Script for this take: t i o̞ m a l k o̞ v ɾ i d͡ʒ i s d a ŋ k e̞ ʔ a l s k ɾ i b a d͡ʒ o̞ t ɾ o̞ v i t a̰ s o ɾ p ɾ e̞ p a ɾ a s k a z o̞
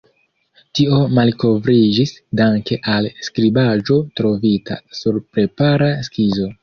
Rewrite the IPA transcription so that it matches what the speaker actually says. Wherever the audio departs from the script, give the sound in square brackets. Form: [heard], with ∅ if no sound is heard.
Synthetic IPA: t i o̞ m a l k o̞ v ɾ i d͡ʒ i s d a ŋ k e̞ ʔ a l s k ɾ i b a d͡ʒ o̞ t ɾ o̞ v i t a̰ s [u] ɾ p ɾ e̞ p a ɾ a s k [i] z o̞